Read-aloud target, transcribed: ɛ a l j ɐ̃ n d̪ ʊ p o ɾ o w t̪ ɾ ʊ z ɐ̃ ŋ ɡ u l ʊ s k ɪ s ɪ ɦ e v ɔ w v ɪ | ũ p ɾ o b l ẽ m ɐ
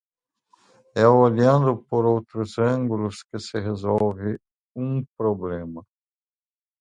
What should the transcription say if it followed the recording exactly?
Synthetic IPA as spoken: ɛ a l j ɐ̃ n d̪ ʊ p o ɾ o w t̪ ɾ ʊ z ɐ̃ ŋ ɡ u l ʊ s k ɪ s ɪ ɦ e z ɔ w v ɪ | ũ p ɾ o b l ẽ m ɐ